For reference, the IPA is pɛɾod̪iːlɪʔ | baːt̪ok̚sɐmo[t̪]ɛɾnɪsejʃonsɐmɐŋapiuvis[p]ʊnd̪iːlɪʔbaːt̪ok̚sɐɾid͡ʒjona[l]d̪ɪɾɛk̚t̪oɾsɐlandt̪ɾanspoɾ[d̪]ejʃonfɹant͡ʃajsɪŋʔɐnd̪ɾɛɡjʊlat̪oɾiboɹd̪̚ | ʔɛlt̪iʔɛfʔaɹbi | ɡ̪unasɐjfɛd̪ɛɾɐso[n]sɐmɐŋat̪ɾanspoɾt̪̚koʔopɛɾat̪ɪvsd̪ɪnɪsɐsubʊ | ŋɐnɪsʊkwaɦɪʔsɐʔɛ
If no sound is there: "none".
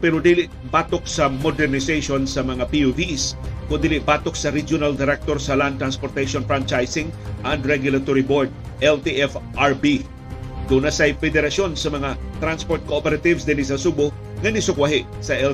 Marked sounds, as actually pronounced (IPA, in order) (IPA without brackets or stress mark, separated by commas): d̪, k, l, t̪, n